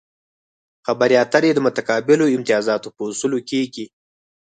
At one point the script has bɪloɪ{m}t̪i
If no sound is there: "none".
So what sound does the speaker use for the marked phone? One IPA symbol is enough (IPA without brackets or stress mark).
m